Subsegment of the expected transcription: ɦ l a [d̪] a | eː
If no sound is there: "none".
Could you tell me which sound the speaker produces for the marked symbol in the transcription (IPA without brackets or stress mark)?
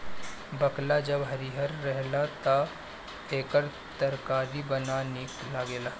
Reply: t̪